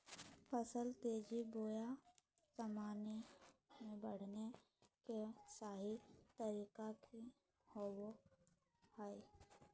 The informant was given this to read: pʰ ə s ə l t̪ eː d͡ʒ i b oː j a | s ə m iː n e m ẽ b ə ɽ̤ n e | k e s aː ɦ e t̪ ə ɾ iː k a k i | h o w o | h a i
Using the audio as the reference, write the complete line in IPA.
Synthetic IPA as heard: pʰ ə s ə l t̪ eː d͡ʒ i b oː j a | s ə m aː n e m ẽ b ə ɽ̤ n e | k e s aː ɦ i t̪ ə ɾ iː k a k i | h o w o | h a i